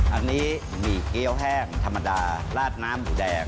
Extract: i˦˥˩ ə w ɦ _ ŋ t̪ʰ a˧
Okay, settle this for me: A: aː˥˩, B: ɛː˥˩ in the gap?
B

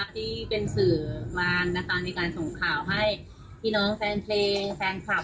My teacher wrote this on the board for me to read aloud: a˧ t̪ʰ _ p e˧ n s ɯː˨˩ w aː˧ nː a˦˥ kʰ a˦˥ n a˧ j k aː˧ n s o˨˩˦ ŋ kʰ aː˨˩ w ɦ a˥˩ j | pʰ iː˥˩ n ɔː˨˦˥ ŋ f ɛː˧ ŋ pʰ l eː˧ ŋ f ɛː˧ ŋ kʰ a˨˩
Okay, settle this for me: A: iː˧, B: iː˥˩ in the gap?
B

